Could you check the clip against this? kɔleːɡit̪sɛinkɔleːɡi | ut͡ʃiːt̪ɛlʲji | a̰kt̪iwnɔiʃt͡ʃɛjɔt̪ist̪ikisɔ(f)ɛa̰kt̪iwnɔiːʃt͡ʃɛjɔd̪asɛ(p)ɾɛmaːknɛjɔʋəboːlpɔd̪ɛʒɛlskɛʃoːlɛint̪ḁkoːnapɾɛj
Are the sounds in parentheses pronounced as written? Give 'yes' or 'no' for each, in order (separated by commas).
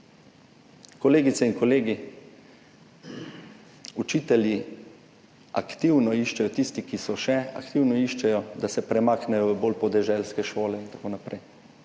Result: no, yes